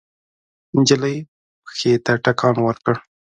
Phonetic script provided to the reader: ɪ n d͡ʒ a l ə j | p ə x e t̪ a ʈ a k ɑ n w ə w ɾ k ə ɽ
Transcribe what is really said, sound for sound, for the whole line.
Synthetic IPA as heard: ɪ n d͡ʒ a l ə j | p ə x e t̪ a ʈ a k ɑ n w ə ɾ k ə ɽ